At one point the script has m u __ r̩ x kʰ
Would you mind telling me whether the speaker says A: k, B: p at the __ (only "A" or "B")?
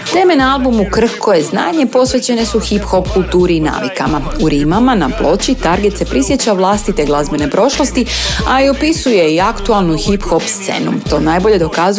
A